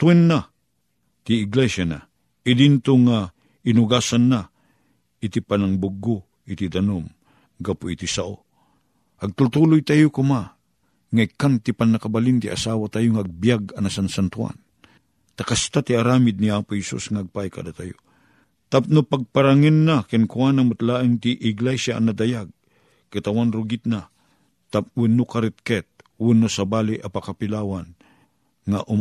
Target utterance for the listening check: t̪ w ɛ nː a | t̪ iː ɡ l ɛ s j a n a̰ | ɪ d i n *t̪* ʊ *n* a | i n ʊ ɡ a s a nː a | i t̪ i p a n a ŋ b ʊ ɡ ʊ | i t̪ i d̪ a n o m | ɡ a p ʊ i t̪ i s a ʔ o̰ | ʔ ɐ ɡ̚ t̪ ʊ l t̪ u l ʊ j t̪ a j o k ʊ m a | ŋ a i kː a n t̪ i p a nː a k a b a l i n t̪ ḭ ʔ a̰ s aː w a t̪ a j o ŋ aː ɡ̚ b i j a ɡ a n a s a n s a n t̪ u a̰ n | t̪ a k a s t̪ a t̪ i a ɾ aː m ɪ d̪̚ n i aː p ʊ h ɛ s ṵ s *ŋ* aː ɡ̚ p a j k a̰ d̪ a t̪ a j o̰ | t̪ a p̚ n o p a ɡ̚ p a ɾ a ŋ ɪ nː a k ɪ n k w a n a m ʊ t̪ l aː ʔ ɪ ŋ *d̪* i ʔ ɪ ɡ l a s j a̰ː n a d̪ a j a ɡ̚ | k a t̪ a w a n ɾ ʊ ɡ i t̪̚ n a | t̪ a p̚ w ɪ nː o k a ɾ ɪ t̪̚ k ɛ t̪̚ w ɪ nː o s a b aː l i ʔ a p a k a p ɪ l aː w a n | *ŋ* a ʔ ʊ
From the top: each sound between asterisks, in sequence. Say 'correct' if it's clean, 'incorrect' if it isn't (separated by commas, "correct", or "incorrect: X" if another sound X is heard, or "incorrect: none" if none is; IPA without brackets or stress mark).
correct, incorrect: ŋ, correct, incorrect: t̪, correct